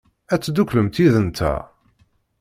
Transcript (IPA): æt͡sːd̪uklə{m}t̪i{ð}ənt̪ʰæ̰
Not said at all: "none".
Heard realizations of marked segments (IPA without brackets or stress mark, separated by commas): m, ð